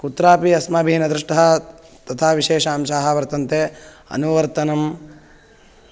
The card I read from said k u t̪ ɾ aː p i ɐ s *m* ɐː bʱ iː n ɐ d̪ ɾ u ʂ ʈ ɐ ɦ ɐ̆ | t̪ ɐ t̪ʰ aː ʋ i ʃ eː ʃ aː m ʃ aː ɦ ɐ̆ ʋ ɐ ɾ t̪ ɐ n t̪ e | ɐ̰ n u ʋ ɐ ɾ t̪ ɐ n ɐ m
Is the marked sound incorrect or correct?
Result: correct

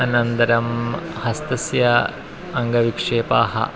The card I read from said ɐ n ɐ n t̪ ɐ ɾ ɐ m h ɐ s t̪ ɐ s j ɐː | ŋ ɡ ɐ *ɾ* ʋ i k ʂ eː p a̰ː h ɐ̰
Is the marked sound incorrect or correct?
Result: incorrect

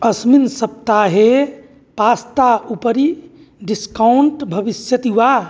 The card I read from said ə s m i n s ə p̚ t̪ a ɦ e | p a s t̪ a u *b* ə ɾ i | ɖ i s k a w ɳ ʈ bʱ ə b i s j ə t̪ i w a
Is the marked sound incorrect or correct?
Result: incorrect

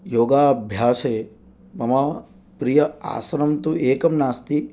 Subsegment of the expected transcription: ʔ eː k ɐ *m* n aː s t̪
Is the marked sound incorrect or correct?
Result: correct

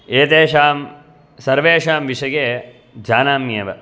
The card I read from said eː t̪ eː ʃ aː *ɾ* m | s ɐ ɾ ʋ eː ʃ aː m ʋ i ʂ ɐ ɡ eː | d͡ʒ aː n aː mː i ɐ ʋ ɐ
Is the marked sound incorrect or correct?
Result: incorrect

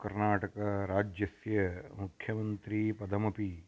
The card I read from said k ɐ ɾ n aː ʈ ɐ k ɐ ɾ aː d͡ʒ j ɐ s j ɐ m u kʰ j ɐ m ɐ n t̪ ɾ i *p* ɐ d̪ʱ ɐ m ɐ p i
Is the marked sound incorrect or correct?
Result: correct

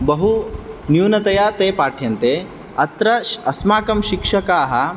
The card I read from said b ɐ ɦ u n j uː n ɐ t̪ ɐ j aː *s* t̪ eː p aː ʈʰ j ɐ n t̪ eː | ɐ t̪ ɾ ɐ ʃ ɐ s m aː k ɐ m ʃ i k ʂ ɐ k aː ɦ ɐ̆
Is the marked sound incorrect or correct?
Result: incorrect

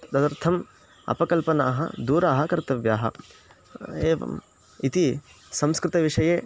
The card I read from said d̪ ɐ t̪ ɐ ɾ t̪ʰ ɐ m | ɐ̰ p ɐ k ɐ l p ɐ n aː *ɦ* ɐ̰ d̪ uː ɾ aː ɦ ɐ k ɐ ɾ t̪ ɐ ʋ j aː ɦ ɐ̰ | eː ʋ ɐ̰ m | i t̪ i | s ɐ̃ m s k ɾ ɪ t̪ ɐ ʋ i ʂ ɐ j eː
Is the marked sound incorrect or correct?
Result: correct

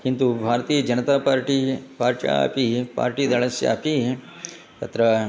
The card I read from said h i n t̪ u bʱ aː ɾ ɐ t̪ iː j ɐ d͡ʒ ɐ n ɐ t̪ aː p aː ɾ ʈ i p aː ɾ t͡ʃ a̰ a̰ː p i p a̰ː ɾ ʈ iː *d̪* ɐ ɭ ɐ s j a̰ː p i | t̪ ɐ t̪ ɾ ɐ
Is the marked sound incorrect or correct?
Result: correct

